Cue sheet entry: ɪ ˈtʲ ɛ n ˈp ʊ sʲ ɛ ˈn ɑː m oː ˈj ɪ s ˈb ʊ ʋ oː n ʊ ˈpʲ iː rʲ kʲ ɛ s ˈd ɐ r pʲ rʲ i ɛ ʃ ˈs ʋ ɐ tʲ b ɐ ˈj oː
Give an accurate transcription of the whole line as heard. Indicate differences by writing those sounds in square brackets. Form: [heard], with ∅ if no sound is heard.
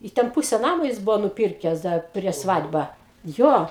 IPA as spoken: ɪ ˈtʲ ɛ n ˈp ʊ sʲ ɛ ˈn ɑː m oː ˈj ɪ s ˈb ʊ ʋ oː n ʊ ˈpʲ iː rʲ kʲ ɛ s ˈd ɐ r pʲ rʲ i ɛ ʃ ˈs ʋ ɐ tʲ b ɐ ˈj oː